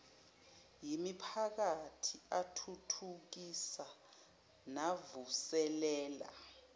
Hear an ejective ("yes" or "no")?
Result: no